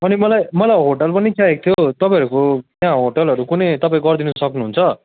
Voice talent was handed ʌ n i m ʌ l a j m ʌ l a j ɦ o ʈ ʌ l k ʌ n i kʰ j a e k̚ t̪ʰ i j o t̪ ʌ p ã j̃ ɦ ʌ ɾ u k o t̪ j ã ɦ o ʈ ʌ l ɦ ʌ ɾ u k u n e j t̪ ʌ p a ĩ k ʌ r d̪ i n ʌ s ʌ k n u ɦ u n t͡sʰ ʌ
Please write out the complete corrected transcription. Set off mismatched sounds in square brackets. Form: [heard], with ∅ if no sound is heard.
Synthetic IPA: ʌ n i m ʌ l a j m ʌ l a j ɦ o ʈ ʌ l [p] ʌ n i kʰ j a e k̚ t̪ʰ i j o t̪ ʌ p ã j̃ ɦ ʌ ɾ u k o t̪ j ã ɦ o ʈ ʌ l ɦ ʌ ɾ u k u n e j t̪ ʌ p a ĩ [ɡ] ʌ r d̪ i n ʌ s ʌ k n u ɦ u n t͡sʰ ʌ

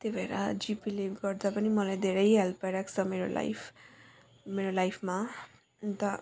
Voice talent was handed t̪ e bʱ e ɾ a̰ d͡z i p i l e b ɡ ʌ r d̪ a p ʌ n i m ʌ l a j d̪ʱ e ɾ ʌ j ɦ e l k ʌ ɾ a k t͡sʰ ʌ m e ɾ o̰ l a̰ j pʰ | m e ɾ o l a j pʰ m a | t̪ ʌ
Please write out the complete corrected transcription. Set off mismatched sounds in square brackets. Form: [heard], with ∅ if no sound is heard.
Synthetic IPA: t̪ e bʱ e ɾ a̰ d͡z i p i l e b ɡ ʌ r d̪ a p ʌ n i m ʌ l a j d̪ʱ e ɾ ʌ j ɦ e l [p] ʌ ɾ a k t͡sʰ ʌ m e ɾ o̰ l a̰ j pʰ | m e ɾ o l a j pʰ m a | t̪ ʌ

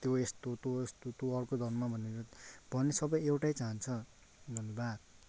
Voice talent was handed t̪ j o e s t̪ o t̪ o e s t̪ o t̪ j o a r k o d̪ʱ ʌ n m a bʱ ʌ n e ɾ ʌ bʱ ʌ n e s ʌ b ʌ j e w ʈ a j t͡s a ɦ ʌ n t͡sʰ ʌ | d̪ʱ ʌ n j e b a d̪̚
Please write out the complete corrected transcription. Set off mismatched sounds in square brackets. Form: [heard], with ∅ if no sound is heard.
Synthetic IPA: t̪ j o e s t̪ o t̪ o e s t̪ o t̪ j o [ʌ] r k o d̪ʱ ʌ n m a bʱ ʌ n e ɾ ʌ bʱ ʌ n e s ʌ b ʌ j e w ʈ a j t͡s a ɦ ʌ n t͡sʰ ʌ | d̪ʱ ʌ n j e b a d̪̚

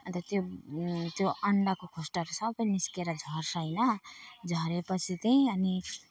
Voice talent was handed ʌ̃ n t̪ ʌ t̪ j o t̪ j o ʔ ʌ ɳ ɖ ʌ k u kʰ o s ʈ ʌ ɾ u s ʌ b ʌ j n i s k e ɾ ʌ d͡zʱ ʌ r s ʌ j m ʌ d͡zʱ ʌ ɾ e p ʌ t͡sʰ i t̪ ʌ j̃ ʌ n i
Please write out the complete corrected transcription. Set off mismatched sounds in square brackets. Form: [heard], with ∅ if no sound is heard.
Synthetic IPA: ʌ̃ n t̪ ʌ t̪ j o t̪ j o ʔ ʌ ɳ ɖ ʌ k [o] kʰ o s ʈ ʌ ɾ u s ʌ b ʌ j n i s k e ɾ ʌ d͡zʱ ʌ r s ʌ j [n] ʌ d͡zʱ ʌ ɾ e p ʌ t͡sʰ i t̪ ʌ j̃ ʌ n i

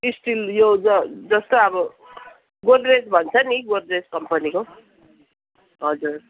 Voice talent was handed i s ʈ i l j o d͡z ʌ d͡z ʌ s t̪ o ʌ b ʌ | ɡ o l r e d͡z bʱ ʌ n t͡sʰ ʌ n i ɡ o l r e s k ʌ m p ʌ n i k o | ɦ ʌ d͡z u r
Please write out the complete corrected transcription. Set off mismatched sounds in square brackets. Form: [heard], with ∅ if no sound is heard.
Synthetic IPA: i s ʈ i l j o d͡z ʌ d͡z ʌ s t̪ o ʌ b ʌ | ɡ o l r e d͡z bʱ ʌ n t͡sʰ ʌ n i ɡ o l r e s k ʌ m p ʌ n i k o | ɦ ʌ d͡z u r

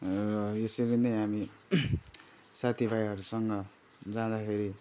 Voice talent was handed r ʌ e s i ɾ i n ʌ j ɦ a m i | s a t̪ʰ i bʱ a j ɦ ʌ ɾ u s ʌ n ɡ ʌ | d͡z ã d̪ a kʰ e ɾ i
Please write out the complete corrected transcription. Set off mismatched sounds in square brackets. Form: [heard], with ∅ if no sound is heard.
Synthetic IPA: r ʌ e s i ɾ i n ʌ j ɦ a m i | s a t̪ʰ i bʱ a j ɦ ʌ ɾ u s ʌ [ŋ] ɡ ʌ | d͡z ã d̪ a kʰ e ɾ i

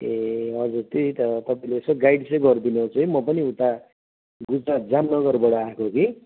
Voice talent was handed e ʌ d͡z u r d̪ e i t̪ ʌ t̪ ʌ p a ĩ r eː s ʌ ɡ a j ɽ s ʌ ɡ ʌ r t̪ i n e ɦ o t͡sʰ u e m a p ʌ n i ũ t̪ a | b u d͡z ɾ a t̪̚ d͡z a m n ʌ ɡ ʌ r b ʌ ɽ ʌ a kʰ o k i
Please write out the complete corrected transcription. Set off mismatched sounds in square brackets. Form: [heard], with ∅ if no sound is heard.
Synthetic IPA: e ʌ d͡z u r [t̪] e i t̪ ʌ t̪ ʌ p a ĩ [l] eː s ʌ ɡ a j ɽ s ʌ ɡ ʌ r [d̪] i n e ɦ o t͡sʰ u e m [ʌ] p ʌ n i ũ t̪ a | [ɡ] u d͡z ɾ a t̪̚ d͡z a m n ʌ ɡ ʌ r b ʌ ɽ ʌ a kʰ o k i

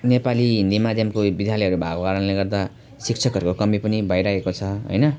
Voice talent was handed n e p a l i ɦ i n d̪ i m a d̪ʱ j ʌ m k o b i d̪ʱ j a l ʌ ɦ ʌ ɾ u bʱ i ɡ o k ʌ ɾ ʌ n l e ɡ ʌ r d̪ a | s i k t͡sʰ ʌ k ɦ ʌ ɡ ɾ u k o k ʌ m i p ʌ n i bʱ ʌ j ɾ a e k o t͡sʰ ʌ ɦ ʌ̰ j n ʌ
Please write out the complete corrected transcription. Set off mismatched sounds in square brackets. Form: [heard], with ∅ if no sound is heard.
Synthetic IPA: n e p a l i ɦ i n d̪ i m a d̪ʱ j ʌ m k o b i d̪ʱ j a l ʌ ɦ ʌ ɾ u bʱ [a] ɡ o k [a] ɾ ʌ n l e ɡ ʌ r d̪ a | s i k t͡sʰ ʌ k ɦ ʌ [∅] ɾ u k o k ʌ m i p ʌ n i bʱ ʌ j ɾ a e k o t͡sʰ ʌ ɦ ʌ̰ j n ʌ

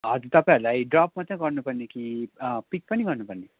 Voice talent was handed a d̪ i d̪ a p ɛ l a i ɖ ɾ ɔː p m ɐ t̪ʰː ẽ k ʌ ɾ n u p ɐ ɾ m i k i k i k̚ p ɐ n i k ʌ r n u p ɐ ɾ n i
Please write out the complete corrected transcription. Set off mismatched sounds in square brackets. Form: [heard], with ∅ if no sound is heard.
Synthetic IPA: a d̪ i [t̪] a p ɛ l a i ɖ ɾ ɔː p m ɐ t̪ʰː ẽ k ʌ ɾ n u p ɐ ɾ [n] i k i [p] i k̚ p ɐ n i k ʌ [ɾ] n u p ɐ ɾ n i

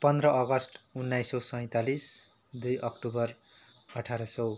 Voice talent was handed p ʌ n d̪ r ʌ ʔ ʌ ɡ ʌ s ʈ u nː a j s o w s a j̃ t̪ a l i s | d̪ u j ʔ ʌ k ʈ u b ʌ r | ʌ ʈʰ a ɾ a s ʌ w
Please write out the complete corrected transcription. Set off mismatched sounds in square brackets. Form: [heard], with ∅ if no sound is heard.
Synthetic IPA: p ʌ n d̪ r ʌ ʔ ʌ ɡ ʌ s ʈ u nː a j s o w s [ʌ] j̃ t̪ a l i s | d̪ u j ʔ ʌ k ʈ u b ʌ r | ʌ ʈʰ a ɾ [ʌ] s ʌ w

